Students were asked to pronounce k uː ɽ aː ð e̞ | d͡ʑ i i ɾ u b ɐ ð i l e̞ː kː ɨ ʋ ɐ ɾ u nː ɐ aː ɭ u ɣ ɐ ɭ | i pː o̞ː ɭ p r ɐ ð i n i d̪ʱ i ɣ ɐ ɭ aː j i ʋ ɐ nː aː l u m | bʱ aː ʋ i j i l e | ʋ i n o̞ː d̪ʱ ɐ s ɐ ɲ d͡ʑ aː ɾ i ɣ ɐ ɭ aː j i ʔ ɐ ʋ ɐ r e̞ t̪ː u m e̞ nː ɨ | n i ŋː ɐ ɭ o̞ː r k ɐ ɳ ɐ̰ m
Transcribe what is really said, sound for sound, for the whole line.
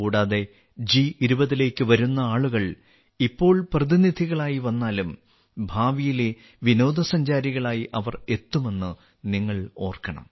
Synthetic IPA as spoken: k uː ɽ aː ð e̞ | d͡ʑ i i ɾ u b ɐ ð i l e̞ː kː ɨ ʋ ɐ ɾ u nː ɐ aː ɭ u ɣ ɐ ɭ | i pː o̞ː ɭ p r ɐ ð i n i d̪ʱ i ɣ ɐ ɭ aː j i ʋ ɐ nː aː l u m | bʱ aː ʋ i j i l e | ʋ i n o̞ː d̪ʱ ɐ s ɐ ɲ d͡ʑ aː ɾ i ɣ ɐ ɭ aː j i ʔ ɐ ʋ ɐ r e̞ t̪ː u m e̞ nː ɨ | n i ŋː ɐ ɭ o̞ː r k ɐ ɳ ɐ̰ m

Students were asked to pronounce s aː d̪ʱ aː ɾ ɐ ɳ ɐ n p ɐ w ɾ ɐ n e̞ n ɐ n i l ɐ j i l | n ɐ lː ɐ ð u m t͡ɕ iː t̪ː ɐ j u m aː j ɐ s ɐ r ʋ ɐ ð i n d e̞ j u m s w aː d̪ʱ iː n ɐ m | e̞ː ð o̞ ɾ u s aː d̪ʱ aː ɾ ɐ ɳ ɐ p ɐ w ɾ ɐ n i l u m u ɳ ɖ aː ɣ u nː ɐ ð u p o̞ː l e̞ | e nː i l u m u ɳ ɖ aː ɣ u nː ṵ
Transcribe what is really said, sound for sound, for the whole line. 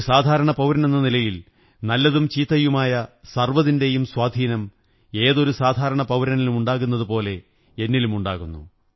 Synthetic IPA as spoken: s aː d̪ʱ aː ɾ ɐ ɳ ɐ p ɐ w ɾ ɐ n e̞ nː ɐ n i l ɐ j i l | n ɐ lː ɐ ð u m t͡ɕ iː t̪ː ɐ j u m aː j ɐ s ɐ r ʋ ɐ ð i n d e̞ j u m s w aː d̪ʱ iː n ɐ m | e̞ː ð o̞ ɾ u s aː d̪ʱ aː ɾ ɐ ɳ ɐ p ɐ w ɾ ɐ n i l u m u ɳ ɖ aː ɣ u nː ɐ ð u p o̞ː l e̞ | e nː i l u m u ɳ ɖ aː ɣ u nː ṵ

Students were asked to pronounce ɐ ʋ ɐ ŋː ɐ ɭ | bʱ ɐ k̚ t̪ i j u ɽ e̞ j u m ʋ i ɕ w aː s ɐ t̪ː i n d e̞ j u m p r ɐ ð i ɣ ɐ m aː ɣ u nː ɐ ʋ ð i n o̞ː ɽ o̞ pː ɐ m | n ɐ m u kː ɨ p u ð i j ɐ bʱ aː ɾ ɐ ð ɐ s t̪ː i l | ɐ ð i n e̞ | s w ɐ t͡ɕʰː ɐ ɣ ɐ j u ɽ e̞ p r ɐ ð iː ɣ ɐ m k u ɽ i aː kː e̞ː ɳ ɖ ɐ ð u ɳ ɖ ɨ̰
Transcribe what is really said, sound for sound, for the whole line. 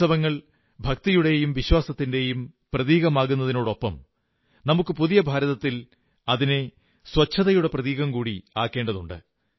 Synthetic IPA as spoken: ɐ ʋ ɐ ŋː ɐ ɭ | bʱ ɐ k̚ t̪ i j u ɽ e̞ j u m ʋ i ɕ w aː s ɐ t̪ː i n d e̞ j u m p r ɐ ð iː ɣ ɐ m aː ɣ u nː ɐ ð i n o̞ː ɽ o̞ pː ɐ m | n ɐ m u kː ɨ p u ð i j ɐ bʱ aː ɾ ɐ ð ɐ t̪ː i l | ɐ ð i n e̞ | s w ɐ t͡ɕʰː ɐ ð ɐ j u ɽ e̞ p r ɐ ð iː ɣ ɐ m k uː ɽ i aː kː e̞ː ɳ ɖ ɐ ð u ɳ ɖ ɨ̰

